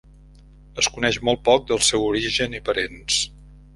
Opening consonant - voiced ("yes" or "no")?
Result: no